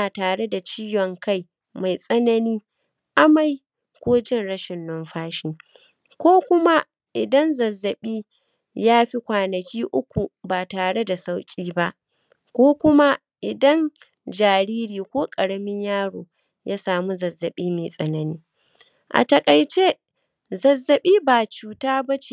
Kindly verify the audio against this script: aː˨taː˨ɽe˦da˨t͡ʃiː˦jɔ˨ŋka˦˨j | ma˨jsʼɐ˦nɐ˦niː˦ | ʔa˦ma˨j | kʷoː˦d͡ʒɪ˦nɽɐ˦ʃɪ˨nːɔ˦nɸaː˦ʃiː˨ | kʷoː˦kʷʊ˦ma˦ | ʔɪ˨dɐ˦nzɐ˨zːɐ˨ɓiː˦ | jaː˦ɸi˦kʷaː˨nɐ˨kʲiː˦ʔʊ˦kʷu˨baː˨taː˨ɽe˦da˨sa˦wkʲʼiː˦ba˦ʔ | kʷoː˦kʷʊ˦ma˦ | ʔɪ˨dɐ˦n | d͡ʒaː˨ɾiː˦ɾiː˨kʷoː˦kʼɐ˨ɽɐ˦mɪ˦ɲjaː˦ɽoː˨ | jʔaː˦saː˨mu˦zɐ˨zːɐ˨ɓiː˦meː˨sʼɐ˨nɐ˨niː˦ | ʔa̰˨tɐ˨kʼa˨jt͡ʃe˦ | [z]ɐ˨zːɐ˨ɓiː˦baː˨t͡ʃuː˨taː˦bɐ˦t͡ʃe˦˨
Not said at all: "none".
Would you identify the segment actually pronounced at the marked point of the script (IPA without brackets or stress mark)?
z